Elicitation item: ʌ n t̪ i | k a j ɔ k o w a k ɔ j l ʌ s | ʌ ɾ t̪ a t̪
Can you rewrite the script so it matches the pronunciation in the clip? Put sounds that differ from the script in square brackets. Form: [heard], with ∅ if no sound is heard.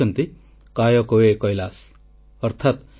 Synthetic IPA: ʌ n t̪ i | k a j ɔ k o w [e] k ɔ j l [a] s | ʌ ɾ [t̪ʰ] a t̪